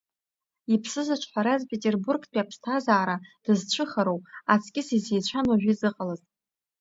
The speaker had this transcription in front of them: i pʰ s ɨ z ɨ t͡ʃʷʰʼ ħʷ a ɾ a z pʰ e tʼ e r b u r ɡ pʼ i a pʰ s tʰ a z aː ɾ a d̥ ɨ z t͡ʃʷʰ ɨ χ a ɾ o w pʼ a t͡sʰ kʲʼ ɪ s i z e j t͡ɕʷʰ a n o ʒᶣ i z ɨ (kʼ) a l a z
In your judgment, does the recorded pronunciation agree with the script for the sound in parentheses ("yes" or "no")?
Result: no